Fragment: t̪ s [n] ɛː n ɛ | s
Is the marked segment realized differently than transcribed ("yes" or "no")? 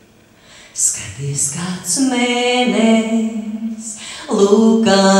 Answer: yes